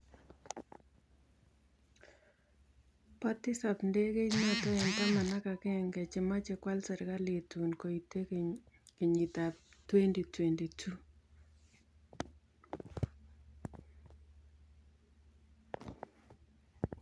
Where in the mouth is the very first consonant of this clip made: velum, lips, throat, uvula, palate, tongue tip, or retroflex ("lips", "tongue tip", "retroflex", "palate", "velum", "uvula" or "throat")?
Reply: lips